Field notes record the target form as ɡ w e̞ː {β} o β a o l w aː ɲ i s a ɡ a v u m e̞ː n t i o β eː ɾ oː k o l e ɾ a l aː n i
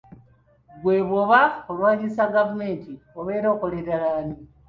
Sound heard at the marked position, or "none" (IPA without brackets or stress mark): β